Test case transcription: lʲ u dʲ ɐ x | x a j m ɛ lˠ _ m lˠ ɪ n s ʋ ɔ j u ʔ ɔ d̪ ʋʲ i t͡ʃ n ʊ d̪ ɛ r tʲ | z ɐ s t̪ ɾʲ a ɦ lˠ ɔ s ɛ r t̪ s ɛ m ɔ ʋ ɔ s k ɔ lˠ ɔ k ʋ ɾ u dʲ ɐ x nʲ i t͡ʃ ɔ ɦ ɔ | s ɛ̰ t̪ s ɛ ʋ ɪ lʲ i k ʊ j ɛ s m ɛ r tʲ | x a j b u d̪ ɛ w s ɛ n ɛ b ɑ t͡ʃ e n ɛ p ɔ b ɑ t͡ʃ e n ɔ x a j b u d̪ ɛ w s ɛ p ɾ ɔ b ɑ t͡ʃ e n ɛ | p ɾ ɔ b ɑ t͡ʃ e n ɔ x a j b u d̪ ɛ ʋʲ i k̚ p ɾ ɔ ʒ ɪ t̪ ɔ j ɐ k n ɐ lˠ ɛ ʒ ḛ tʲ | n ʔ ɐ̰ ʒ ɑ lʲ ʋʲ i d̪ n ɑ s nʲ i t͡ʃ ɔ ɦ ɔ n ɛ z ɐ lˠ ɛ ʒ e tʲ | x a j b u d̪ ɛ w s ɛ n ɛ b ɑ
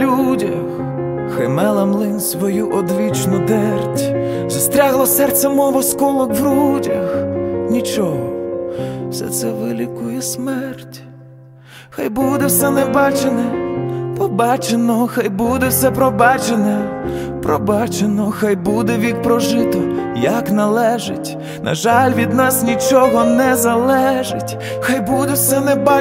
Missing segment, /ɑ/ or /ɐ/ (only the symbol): ɐ